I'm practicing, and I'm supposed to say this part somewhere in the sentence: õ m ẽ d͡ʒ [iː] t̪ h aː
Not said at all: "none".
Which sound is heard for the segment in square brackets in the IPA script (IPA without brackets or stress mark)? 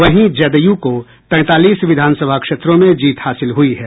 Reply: iː